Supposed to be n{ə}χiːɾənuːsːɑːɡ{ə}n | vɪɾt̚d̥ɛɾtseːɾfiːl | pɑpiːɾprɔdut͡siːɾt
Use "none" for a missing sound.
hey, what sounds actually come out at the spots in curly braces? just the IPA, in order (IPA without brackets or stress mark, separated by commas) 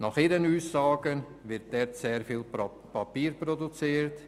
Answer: ɑ, ə